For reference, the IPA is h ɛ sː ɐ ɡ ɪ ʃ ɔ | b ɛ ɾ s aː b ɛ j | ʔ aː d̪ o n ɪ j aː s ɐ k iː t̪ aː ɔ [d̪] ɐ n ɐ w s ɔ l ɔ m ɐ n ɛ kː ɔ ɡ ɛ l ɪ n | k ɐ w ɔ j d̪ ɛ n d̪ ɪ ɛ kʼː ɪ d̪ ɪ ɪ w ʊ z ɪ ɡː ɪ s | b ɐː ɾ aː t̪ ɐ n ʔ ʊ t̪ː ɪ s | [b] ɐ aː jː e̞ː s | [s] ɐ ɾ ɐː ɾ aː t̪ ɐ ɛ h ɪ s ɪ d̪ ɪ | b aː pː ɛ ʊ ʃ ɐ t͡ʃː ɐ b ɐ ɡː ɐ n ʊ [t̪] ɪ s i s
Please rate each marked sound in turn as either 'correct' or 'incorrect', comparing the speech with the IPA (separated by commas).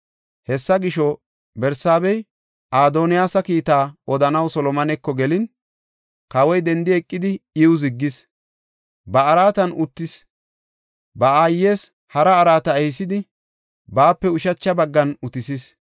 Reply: correct, correct, incorrect, correct